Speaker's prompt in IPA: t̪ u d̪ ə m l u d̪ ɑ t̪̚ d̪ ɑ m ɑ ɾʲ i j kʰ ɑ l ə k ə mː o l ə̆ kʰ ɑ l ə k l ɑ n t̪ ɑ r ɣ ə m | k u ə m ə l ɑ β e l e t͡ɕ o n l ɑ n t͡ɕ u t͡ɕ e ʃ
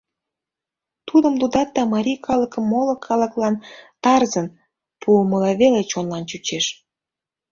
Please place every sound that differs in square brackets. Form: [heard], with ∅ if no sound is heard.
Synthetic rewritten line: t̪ u d̪ ə m l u d̪ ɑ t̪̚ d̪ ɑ m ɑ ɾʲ i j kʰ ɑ l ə k ə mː o l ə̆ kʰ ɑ l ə k l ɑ n t̪ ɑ r [z] ə [n] | [p] u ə m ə l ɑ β e l e t͡ɕ o n l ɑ n t͡ɕ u t͡ɕ e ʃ